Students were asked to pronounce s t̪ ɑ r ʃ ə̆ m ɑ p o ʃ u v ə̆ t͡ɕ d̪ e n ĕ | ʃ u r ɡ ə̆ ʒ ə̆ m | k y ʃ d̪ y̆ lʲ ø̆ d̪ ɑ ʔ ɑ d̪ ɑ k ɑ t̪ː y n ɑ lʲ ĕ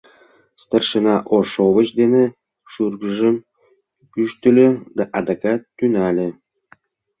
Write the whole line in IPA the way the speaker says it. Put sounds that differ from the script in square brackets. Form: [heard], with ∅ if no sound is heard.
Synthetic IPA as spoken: s t̪ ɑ r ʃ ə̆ [n] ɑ [ʔ] o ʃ [o] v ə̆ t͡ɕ d̪ e n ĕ | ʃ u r ɡ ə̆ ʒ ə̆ m | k y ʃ [t̪] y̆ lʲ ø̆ d̪ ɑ ʔ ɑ d̪ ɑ k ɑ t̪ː y n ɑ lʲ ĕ

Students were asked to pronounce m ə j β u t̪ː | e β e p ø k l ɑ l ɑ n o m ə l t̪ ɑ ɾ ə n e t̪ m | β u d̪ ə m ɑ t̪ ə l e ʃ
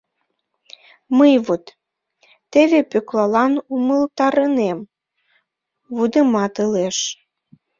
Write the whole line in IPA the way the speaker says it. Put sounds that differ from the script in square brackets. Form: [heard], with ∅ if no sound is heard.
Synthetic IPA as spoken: m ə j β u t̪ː | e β e p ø k l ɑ l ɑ n [u] m ə l t̪ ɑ ɾ ə n e [∅] m | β u d̪ ə m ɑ t̪ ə l e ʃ

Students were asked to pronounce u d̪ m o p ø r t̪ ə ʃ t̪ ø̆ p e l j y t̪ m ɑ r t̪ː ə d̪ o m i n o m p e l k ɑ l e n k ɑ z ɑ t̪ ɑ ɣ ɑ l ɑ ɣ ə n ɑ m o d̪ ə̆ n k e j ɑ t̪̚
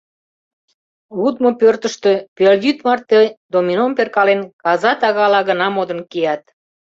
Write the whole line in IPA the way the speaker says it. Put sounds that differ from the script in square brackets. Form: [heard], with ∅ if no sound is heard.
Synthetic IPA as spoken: u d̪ m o p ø r t̪ ə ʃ t̪ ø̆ p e l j y t̪ m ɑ r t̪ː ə d̪ o m i n o m p e [r] k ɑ l e n k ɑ z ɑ t̪ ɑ ɣ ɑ l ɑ ɣ ə n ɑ m o d̪ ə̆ n k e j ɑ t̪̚

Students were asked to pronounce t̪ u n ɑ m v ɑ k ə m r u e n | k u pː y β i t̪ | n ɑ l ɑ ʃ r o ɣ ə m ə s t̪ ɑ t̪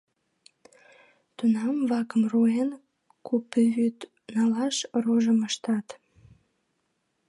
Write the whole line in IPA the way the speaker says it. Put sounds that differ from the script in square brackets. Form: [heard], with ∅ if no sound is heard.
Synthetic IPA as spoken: t̪ u n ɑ m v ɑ k ə m r u e n | k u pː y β [y] t̪ | n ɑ l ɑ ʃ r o [ʒ] ə m ə [ʃ] t̪ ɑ t̪

